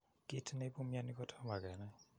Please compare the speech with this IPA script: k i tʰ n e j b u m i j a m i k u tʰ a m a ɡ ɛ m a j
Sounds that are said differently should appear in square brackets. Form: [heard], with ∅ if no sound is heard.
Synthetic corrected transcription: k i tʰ n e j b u m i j a [n] i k [ɔ] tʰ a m a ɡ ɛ [n] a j

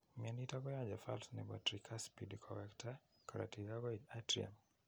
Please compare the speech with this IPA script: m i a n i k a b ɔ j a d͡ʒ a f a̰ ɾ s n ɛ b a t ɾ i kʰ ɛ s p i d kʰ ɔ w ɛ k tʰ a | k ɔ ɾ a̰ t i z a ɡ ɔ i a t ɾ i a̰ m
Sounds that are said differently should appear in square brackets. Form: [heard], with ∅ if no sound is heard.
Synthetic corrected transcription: m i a n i [t] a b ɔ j a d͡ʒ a f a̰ [l] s n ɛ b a t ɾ i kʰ [a] s p i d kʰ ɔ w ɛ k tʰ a | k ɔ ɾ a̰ t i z a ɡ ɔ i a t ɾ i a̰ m

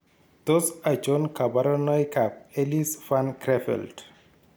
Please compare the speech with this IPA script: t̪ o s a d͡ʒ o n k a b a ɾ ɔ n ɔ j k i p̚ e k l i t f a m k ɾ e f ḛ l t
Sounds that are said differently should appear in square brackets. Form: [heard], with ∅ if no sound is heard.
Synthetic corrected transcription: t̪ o s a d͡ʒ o n k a b a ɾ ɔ n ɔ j k [a] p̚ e [∅] l i [s] f a [n] k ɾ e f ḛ l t

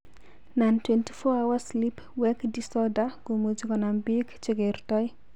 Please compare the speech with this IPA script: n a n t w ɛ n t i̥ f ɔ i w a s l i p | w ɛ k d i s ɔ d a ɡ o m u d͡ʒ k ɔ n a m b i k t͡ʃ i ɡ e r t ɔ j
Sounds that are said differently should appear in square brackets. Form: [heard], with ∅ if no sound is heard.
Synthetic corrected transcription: n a n t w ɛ n t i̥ f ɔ [a] w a s l i p | w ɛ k d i s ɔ d a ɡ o m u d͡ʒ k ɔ n a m b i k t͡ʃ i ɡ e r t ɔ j

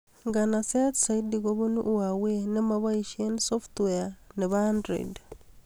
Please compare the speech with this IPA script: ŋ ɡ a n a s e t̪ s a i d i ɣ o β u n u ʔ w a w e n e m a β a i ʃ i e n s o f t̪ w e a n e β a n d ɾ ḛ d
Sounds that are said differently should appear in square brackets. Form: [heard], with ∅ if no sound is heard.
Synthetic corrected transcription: ŋ ɡ a n a s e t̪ s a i d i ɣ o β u n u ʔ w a w e n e m a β a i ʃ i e n s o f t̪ w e a n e β a n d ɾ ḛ d

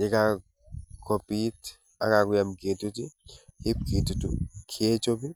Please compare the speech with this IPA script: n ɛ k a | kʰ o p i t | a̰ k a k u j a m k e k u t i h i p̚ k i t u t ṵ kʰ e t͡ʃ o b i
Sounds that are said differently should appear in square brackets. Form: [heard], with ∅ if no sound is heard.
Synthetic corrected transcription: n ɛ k a | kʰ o p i t | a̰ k a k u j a m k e [t] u t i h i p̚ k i t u t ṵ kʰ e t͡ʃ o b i

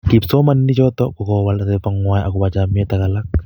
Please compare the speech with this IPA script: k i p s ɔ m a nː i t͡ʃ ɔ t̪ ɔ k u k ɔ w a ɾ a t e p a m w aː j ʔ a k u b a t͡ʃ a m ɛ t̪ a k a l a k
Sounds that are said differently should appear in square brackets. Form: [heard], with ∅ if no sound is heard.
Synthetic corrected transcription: k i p s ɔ m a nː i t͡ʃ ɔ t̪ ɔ k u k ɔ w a [l] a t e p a [ŋ] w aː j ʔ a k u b a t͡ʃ a m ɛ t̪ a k a l a k

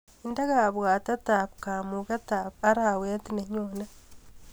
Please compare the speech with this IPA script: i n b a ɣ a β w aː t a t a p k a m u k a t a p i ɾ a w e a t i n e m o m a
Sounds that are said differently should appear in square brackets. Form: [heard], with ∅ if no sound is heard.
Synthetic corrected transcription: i n [d] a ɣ a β w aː t a t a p k a m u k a t a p [a] ɾ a w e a t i n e [ɲ] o [n] a

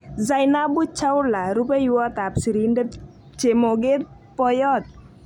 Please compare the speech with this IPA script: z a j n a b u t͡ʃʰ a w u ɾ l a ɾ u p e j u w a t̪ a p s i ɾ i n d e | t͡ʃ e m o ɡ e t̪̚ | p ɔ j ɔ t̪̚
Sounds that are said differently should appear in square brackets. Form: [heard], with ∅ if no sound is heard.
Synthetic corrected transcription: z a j n a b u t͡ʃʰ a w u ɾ l a ɾ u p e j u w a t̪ a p s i ɾ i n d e | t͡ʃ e m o ɡ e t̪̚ | p ɔ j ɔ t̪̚

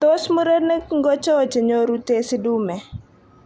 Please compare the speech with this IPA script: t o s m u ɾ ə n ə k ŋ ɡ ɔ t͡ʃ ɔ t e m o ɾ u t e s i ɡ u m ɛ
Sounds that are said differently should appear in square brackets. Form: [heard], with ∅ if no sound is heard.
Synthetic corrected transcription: t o s m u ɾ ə n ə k ŋ ɡ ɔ t͡ʃ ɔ [t͡ʃ] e [ɲ] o ɾ u t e s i [d] u m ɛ

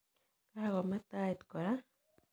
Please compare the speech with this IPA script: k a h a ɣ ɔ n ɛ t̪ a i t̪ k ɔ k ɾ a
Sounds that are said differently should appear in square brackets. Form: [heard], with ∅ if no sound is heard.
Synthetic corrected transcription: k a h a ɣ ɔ [m] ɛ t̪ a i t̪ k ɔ [∅] ɾ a

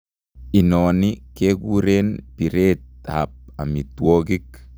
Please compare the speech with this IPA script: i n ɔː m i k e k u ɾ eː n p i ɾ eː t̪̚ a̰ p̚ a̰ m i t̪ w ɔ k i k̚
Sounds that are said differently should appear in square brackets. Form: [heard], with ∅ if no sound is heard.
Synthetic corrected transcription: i n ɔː [n] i k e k u ɾ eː n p i ɾ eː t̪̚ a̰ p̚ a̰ m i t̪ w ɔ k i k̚

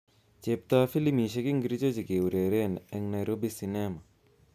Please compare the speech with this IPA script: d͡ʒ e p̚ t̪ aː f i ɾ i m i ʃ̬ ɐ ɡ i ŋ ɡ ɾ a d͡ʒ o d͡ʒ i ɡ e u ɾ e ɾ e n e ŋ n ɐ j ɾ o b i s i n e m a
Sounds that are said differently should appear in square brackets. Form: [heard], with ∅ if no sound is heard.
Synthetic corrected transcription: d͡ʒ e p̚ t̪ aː f i [l] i m i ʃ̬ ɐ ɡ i ŋ ɡ ɾ [i] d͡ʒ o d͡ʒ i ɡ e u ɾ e ɾ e n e ŋ n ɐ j ɾ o b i s i n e m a

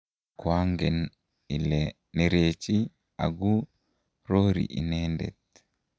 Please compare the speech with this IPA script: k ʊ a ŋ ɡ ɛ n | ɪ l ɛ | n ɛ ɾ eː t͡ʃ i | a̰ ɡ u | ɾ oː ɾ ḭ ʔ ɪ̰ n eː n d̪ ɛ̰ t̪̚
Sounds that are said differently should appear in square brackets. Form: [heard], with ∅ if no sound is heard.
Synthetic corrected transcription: k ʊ a ŋ ɡ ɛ n | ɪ l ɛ | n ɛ ɾ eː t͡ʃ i | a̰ ɡ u | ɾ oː ɾ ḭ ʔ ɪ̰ n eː n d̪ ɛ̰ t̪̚

